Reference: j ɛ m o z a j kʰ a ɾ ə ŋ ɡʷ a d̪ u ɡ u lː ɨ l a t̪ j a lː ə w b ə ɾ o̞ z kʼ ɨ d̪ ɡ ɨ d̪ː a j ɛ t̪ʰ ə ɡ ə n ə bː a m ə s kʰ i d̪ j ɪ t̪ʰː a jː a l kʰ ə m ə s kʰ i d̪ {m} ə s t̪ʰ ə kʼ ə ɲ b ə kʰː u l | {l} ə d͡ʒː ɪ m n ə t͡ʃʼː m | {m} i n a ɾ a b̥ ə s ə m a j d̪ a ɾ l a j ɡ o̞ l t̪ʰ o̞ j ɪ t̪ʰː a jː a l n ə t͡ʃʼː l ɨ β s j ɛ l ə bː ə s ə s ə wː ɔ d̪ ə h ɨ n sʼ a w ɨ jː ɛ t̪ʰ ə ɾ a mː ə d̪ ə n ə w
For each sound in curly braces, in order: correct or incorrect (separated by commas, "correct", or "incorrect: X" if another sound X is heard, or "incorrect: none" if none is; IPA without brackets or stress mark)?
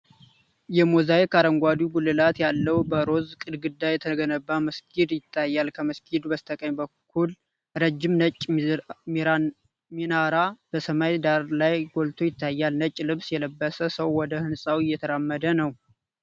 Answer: incorrect: b, incorrect: ɾ, correct